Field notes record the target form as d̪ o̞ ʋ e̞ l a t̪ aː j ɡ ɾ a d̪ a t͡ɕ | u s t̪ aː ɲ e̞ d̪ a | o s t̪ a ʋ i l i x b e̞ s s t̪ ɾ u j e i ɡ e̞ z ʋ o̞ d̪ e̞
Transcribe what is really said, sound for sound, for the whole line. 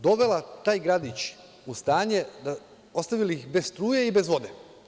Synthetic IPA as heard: d̪ o̞ ʋ e̞ l a t̪ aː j ɡ ɾ a d̪ i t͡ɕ | u s t̪ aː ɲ e̞ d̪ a | o s t̪ a ʋ i l i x b e̞ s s t̪ ɾ uː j e i b e̞ z ʋ o̞ d̪ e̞